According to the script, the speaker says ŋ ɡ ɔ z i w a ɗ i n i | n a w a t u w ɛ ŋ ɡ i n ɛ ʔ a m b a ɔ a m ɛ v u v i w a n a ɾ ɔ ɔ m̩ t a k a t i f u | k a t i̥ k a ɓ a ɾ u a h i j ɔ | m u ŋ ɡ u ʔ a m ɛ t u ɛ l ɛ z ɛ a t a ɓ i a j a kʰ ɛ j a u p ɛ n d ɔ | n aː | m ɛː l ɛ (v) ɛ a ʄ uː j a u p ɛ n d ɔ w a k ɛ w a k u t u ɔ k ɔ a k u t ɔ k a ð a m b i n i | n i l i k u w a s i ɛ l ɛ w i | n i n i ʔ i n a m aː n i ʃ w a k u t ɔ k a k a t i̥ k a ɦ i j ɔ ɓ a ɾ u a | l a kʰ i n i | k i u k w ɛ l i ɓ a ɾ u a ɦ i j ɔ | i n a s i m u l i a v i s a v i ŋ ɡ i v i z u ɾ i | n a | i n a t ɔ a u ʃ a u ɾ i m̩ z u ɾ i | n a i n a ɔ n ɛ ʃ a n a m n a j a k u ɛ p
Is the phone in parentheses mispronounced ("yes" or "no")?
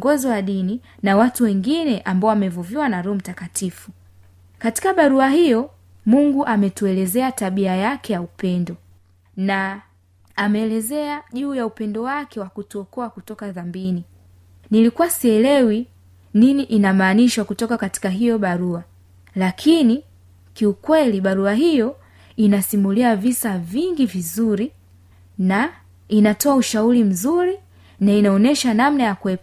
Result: yes